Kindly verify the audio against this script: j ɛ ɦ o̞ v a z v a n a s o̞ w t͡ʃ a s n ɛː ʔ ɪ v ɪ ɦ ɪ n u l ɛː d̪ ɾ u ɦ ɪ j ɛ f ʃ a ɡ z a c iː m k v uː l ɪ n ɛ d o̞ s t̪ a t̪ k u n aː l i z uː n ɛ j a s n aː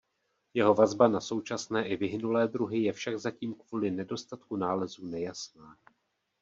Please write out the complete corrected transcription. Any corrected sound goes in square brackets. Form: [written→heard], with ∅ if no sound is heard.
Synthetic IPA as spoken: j ɛ ɦ o̞ v a z [v→b] a n a s o̞ w t͡ʃ a s n ɛː ʔ ɪ v ɪ ɦ ɪ n u l ɛː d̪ ɾ u ɦ ɪ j ɛ f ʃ a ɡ z a c iː m k v uː l ɪ n ɛ d o̞ s t̪ a t̪ k u n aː l [i→ɛ] z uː n ɛ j a s n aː